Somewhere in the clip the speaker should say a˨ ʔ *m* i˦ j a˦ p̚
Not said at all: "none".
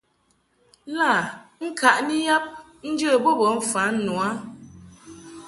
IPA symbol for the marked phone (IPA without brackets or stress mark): n